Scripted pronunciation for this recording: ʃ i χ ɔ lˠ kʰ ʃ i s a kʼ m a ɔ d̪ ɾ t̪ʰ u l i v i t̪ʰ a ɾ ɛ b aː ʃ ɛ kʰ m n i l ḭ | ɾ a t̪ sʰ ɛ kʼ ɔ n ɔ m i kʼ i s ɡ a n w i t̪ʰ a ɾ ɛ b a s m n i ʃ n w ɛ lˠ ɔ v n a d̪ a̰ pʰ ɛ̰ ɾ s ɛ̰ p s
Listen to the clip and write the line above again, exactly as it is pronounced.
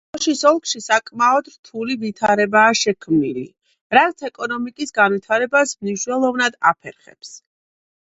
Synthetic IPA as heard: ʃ i s ɔ lˠ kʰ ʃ i s a kʼ m a ɔ d̪ ɾ t̪ʰ u l i v i t̪ʰ a ɾ ɛ b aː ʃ ɛ kʰ m n i l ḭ | ɾ a t̪ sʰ ɛ kʼ ɔ n ɔ m i kʼ i s ɡ a n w i t̪ʰ a ɾ ɛ b a s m n i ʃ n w ɛ lˠ ɔ v n a d̪ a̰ pʰ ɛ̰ ɾ χ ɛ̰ p s